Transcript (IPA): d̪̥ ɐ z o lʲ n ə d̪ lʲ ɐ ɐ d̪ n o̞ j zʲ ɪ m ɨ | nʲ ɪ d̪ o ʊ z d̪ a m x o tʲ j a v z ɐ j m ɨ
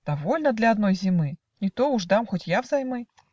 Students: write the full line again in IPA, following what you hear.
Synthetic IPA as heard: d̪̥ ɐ v o lʲ n ə d̪ lʲ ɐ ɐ d̪ n o̞ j zʲ ɪ m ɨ | nʲ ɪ t̪ o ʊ ʐ d̪ a m x o tʲ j a v z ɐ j m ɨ

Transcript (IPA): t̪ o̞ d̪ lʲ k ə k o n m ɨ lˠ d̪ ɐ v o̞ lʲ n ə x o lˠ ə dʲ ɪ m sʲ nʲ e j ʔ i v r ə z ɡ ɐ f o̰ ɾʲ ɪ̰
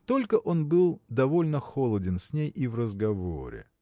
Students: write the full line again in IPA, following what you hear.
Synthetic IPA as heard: t̪ o̞ lʲ k ə ʔ o n b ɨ lˠ d̪ ɐ v o̞ lʲ n ə x o lˠ ə dʲ ɪ n sʲ nʲ e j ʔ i v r ə z ɡ ɐ v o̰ ɾʲ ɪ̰

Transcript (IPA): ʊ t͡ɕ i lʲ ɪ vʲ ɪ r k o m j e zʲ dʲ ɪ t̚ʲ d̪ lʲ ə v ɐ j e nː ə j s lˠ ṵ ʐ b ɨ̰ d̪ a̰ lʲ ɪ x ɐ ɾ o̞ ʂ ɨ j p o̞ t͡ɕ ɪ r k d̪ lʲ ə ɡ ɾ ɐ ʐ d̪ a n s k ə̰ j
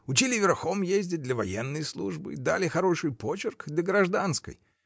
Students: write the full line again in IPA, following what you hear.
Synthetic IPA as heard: ʊ t͡ɕ i lʲ ɪ vʲ ɪ r x o m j e zʲ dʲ ɪ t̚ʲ d̪ lʲ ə v ɐ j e nː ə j s lˠ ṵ ʐ b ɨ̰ d̪ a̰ lʲ ɪ x ɐ ɾ o̞ ʂ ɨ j p o̞ t͡ɕ ɪ r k d̪ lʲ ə ɡ ɾ ɐ ʐ d̪ a n s k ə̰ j

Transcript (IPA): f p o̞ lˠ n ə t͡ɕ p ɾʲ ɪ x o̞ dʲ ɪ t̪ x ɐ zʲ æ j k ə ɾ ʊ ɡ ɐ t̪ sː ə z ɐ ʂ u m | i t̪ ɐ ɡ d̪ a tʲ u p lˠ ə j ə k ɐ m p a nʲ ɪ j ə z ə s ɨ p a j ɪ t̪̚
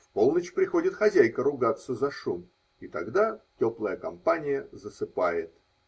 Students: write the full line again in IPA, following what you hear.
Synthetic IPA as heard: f p o̞ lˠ n ə t͡ɕ p ɾʲ ɪ x o̞ dʲ ɪ t̪ x ɐ zʲ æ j k ə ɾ ʊ ɡ a t̪ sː ə z ɐ ʂ u m | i t̪ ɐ ɡ d̪ a tʲ o p lˠ ə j ə k ɐ m p a nʲ ɪ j ə z ə s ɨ p a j ɪ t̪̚

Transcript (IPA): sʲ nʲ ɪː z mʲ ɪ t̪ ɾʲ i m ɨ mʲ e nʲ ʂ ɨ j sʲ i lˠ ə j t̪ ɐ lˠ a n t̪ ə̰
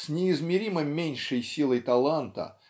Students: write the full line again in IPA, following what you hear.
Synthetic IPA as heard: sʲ nʲ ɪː z mʲ ɪ ɾʲ i m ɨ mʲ e nʲ ʂ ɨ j sʲ i lˠ ə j t̪ ɐ lˠ a n t̪ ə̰

